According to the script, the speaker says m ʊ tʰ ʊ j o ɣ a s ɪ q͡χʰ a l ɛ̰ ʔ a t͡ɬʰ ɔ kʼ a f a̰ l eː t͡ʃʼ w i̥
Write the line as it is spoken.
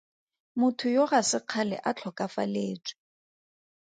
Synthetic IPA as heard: m ʊ tʰ ʊ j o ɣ a s ɪ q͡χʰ a l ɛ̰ ʔ a t͡ɬʰ ɔ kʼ a f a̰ l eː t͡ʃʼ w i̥